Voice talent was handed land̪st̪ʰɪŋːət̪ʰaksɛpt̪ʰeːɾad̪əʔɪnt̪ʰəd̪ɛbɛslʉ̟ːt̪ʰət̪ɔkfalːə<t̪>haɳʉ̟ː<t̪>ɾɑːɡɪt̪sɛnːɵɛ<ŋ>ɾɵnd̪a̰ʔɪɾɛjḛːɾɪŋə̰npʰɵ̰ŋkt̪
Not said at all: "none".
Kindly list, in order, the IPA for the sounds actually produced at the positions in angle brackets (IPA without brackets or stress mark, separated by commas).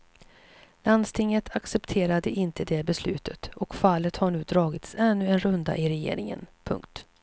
t̪, d̪, n